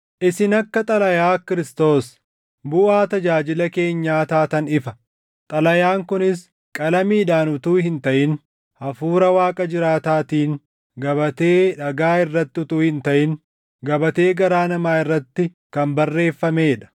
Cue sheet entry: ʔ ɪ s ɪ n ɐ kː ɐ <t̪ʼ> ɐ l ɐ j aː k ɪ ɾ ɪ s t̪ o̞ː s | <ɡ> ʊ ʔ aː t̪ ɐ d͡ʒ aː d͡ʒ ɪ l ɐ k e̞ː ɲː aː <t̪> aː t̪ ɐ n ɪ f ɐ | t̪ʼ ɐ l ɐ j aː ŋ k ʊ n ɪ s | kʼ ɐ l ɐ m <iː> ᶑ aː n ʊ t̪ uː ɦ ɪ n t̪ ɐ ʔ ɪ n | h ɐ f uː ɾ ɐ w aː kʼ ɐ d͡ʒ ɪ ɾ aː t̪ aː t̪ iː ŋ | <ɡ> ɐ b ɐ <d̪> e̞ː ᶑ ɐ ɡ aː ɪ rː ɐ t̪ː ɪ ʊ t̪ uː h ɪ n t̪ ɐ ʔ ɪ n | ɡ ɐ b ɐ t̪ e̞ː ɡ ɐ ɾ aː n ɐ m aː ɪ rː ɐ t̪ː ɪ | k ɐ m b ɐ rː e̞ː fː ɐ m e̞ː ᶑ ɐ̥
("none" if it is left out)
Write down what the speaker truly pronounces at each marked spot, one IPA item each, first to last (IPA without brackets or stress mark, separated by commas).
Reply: t̪ʼ, b, t̪, iː, ɡ, t̪